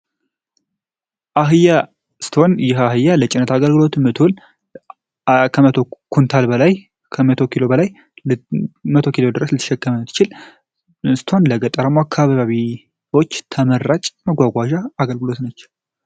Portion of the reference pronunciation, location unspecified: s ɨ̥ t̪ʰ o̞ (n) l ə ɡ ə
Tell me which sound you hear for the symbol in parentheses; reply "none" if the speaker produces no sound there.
n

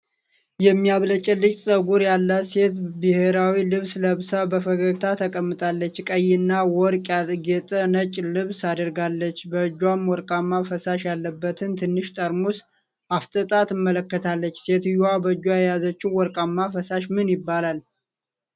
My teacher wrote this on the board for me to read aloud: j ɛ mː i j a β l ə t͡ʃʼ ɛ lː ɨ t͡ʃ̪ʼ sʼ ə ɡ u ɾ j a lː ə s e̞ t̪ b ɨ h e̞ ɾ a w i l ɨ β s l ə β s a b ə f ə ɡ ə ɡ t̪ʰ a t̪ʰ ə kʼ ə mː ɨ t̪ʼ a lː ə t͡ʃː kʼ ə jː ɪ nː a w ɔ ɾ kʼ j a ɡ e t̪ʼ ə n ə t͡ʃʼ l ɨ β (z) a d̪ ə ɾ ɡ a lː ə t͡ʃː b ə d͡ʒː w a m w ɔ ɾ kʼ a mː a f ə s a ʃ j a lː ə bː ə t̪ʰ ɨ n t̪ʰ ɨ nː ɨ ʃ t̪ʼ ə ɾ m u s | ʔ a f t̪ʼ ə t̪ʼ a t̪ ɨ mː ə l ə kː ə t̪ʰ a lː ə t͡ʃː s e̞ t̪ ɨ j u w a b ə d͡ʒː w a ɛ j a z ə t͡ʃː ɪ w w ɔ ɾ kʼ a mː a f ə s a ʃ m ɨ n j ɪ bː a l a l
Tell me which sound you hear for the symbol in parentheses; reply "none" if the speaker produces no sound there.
s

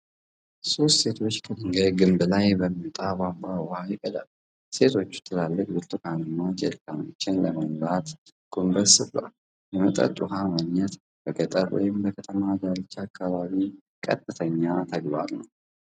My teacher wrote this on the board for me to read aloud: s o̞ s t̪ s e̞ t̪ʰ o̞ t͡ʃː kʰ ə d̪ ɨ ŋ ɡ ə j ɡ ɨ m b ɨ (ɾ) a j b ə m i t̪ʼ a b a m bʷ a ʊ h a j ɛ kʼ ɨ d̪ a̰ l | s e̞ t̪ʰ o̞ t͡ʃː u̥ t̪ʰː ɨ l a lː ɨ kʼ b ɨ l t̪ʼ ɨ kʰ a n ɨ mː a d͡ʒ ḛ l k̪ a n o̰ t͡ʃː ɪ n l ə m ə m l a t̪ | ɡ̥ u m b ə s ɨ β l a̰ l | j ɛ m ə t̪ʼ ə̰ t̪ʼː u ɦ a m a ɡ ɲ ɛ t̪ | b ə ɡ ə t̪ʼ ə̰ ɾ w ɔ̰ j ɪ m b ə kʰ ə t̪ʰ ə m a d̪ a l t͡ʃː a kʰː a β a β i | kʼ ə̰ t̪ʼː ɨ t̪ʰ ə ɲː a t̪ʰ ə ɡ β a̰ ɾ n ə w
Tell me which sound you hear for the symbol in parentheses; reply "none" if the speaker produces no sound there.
l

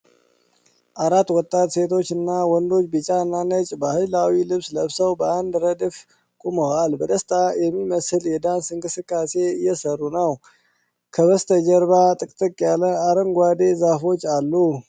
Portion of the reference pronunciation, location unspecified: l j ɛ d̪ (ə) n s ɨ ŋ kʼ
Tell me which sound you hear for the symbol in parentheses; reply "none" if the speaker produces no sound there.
a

